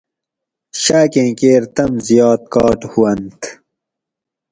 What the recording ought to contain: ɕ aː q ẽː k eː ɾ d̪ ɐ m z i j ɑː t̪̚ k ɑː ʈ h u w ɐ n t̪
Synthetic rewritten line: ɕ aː k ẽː k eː ɾ t̪ ɐ m z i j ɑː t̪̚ k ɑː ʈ h u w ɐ n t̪